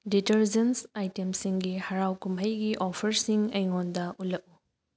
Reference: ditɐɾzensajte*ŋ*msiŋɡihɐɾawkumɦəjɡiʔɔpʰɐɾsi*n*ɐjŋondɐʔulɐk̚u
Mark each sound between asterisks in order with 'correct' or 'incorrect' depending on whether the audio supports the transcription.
incorrect: none, incorrect: ŋ

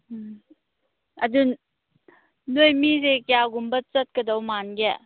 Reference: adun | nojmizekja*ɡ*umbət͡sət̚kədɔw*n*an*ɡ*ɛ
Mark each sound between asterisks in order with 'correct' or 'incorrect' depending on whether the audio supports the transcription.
correct, incorrect: m, correct

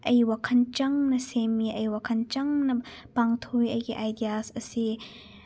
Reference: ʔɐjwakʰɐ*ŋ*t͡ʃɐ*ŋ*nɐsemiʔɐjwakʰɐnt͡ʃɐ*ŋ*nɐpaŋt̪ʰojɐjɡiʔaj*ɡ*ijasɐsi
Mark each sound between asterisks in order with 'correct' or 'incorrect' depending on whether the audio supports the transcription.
incorrect: n, correct, correct, incorrect: d

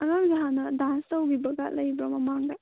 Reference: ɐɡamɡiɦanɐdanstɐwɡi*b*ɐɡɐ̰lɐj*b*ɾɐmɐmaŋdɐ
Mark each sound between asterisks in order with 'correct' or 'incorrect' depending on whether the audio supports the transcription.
correct, correct

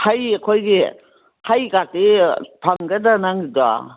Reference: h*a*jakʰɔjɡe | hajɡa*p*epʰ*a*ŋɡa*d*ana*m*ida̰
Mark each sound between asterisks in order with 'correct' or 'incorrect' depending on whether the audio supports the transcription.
correct, incorrect: t, correct, correct, incorrect: ŋ

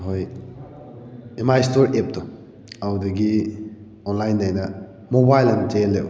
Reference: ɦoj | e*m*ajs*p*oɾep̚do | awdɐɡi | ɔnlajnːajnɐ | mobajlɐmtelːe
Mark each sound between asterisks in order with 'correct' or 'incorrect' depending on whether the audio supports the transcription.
correct, incorrect: t

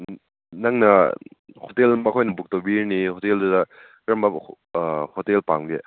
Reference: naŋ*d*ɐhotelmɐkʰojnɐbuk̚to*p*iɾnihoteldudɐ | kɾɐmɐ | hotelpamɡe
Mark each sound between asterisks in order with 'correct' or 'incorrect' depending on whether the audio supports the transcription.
incorrect: n, incorrect: b

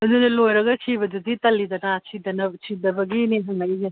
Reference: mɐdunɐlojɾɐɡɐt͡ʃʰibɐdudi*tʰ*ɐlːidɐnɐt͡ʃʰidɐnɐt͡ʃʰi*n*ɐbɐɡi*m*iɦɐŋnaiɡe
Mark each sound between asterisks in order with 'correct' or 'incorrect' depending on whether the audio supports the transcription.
incorrect: t, incorrect: d, incorrect: n

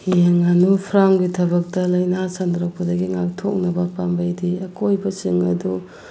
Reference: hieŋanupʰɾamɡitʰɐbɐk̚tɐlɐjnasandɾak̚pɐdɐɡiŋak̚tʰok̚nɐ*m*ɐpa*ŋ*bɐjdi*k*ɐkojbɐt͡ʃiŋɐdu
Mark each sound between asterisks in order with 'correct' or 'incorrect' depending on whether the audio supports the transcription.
incorrect: b, incorrect: m, incorrect: none

